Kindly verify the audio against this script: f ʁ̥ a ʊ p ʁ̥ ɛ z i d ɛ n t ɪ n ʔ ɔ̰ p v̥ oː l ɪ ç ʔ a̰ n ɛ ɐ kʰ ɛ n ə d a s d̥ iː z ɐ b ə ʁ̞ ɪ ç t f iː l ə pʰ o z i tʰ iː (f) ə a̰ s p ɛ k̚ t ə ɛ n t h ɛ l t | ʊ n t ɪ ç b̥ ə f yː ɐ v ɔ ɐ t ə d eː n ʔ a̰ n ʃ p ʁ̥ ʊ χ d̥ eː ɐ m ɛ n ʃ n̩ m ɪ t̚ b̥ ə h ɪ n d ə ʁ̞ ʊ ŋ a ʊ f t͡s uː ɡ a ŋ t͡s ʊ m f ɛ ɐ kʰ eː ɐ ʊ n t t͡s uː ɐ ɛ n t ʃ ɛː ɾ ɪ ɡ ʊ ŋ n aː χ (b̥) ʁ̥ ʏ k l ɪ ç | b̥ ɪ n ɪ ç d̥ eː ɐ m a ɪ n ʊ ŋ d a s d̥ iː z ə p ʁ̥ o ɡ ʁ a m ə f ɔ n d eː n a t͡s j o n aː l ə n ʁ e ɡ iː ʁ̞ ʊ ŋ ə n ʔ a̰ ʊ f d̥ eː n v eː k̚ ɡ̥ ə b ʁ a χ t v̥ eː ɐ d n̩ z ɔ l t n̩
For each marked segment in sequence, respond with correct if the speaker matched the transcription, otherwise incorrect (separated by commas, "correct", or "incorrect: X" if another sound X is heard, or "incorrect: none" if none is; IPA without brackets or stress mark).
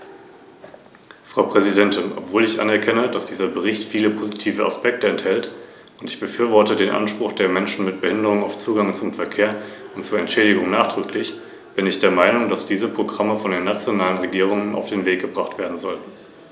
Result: incorrect: v, incorrect: d̥